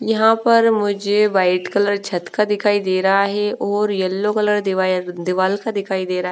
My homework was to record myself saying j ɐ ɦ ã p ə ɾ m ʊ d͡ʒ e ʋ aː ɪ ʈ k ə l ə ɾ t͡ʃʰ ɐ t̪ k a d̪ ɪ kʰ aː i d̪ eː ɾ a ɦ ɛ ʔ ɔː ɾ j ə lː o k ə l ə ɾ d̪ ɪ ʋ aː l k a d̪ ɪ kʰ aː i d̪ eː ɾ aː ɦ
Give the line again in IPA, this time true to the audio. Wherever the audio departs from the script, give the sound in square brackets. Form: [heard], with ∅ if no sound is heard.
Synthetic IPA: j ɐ ɦ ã p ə ɾ m ʊ d͡ʒ e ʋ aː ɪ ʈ k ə l ə ɾ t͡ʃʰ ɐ t̪ k a d̪ ɪ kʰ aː i d̪ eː ɾ a ɦ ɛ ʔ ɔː ɾ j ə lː o k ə l ə ɾ d̪ ɪ ʋ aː l k a d̪ ɪ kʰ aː i d̪ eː ɾ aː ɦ